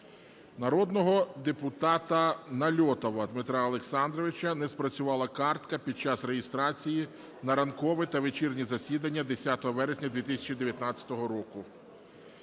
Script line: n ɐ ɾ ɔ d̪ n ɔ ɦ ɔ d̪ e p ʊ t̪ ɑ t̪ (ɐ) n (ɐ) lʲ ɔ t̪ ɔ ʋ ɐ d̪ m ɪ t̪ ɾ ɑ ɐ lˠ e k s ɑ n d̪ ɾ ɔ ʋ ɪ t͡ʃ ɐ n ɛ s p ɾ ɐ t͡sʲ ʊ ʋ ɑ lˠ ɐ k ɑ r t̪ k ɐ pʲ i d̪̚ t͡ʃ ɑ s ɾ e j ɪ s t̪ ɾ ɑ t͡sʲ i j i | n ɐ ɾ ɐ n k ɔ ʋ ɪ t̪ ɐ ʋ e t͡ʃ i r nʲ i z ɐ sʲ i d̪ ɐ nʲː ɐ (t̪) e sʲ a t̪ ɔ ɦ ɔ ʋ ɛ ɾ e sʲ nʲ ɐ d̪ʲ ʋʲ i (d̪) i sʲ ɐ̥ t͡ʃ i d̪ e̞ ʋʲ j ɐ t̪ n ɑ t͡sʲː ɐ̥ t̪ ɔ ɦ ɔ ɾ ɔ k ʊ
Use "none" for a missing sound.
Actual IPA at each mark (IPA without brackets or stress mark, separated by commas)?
ɐ, ɐ, d̪, t̪